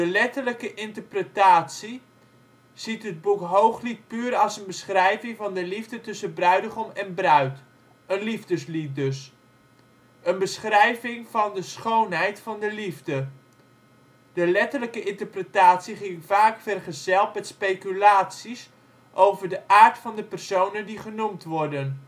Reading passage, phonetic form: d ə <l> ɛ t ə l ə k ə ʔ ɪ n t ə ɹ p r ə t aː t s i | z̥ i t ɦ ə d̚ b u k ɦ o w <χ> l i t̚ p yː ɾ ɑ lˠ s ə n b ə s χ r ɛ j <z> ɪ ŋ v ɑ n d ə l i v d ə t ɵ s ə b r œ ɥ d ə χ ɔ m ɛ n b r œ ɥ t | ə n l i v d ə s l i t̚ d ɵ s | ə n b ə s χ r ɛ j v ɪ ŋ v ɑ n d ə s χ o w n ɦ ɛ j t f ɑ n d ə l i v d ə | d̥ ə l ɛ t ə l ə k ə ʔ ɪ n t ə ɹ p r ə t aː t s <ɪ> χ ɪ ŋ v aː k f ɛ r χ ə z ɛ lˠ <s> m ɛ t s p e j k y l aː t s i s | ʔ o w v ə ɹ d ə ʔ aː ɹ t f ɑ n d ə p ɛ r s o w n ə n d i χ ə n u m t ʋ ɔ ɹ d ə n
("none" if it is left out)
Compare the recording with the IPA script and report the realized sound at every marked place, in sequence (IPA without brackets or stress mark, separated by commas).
l, χ, v, i, t